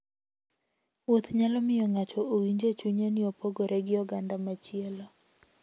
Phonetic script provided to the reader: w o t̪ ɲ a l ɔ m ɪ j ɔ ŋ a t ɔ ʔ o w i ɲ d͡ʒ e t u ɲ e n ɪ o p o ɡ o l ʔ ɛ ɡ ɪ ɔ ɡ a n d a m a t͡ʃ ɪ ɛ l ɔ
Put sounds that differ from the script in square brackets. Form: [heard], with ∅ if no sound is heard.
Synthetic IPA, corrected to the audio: w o t̪ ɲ a l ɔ m ɪ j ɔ ŋ a [t͡ʃ] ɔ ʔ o w i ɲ d͡ʒ e [t͡ʃ] u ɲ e n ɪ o p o ɡ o [ɾ] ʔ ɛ ɡ ɪ ɔ ɡ a n d a m a t͡ʃ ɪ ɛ l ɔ